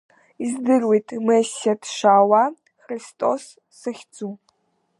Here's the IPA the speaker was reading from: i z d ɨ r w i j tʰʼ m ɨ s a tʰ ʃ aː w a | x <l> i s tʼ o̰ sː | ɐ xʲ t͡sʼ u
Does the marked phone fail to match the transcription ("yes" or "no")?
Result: yes